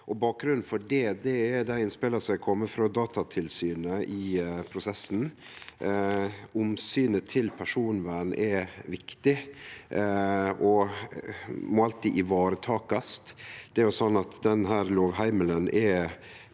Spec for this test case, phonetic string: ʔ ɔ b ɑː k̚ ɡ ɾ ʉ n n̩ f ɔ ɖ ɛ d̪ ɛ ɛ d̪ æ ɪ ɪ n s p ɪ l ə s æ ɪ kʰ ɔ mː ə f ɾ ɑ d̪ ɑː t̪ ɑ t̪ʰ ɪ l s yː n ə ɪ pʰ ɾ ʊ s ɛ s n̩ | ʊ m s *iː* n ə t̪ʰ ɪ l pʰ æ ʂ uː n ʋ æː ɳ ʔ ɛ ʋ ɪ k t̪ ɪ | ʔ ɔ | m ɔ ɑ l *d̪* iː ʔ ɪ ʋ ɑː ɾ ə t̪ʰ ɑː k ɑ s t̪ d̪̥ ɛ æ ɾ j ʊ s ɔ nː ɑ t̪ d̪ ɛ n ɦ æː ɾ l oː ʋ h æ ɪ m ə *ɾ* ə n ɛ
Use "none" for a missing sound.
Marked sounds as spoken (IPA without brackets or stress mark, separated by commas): yː, t̪, l